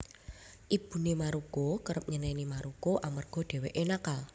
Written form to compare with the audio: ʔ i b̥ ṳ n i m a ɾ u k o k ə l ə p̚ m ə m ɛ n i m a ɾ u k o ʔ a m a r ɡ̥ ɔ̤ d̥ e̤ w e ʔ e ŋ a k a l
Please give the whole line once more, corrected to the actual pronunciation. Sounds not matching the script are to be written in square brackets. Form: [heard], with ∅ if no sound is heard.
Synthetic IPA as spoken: ʔ i b̥ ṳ n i m a ɾ u k o k ə [ɾ] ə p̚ [ɲ] ə [n] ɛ n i m a ɾ u k o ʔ a m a r ɡ̥ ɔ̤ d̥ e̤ w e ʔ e [n] a k a l